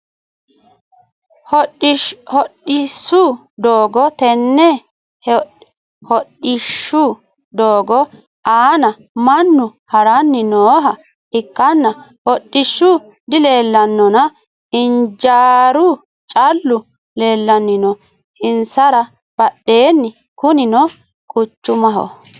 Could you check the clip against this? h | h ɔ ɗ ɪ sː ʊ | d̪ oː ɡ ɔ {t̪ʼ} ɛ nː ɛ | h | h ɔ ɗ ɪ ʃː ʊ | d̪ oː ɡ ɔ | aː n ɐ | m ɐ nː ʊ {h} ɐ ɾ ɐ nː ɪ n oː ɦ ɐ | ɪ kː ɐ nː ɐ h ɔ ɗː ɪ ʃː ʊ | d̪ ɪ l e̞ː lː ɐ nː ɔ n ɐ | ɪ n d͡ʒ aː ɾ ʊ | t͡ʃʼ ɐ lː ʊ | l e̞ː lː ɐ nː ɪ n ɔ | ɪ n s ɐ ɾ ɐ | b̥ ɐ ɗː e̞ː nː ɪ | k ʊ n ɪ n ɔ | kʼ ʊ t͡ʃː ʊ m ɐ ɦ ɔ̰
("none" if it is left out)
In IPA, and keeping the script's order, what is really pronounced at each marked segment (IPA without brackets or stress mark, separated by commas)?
t̪, h